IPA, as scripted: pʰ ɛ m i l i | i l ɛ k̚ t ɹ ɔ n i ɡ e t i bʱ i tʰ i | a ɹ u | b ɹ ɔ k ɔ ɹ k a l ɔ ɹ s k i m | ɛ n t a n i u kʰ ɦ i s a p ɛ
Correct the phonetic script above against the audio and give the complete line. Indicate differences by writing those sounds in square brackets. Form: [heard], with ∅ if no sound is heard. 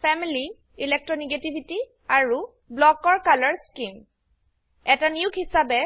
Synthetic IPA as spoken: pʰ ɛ m i l i | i l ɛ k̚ t ɹ ɔ n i ɡ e t i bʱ i [t] i | a ɹ u | b [l] ɔ k ɔ ɹ k a l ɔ ɹ s k i m | ɛ [∅] t a n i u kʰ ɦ i s a [b] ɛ